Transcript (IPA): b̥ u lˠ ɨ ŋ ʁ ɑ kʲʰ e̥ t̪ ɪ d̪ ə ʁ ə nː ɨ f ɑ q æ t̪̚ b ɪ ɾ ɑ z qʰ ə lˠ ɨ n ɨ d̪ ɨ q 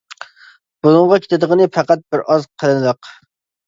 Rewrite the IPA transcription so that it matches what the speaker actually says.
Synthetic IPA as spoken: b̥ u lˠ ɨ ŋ ʁ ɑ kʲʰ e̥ t̪ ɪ d̪ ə ʁ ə n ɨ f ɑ q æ t̪̚ b ɪ ɾ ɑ z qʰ ə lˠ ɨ n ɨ d̪ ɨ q